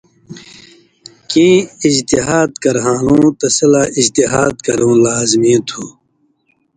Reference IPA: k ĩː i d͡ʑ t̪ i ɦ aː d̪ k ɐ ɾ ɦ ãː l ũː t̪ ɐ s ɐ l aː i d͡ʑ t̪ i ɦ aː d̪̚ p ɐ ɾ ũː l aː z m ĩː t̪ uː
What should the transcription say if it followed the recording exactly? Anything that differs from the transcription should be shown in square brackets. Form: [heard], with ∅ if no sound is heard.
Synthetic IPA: k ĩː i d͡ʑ t̪ i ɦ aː d̪ k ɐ ɾ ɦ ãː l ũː t̪ ɐ s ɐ l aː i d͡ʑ t̪ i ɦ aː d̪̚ [k] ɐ ɾ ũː l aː z m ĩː [t̪ʰ] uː